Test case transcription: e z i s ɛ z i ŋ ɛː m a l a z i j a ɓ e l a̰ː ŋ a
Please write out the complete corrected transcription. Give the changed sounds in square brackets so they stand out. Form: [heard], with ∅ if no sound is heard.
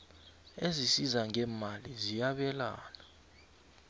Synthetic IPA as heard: e z i s [i] z [a] ŋ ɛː m a l [i] z i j a ɓ [ɛ] l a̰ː [n] a